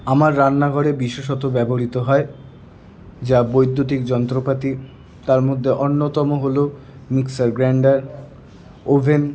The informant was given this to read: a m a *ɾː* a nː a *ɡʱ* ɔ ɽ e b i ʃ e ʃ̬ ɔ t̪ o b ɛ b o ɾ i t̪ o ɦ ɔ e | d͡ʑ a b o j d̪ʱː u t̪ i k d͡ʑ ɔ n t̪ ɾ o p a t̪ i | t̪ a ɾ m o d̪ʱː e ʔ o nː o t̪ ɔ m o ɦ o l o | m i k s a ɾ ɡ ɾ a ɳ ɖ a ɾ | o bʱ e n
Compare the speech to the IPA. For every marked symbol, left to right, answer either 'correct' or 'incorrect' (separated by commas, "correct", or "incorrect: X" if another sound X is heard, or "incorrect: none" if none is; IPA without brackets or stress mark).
correct, correct